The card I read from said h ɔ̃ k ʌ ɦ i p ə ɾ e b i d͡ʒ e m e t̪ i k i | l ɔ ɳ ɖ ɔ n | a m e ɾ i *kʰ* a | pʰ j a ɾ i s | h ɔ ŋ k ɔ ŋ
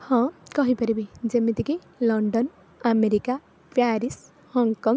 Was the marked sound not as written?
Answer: yes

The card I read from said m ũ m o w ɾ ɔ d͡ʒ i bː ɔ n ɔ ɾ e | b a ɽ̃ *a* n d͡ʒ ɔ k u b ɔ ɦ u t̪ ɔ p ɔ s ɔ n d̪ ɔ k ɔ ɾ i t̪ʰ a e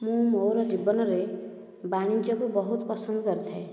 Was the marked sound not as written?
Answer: yes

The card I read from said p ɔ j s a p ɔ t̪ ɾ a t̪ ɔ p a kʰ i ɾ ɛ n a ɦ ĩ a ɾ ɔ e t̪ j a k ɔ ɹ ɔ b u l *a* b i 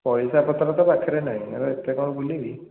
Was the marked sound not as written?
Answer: yes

